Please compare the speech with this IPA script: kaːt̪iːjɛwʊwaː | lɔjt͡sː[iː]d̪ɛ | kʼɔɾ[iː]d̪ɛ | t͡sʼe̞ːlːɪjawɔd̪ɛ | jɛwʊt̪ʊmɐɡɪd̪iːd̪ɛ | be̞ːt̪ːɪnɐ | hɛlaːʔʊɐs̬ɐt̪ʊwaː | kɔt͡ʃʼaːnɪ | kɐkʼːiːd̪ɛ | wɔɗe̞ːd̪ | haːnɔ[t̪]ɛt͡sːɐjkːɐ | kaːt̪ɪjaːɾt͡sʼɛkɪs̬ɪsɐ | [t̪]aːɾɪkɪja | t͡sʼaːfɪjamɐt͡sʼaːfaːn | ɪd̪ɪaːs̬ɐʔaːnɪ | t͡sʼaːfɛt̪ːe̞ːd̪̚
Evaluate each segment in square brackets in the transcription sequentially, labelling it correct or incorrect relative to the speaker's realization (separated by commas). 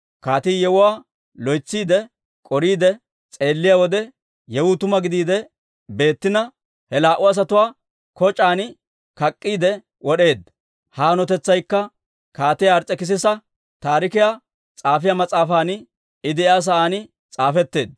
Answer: correct, correct, correct, correct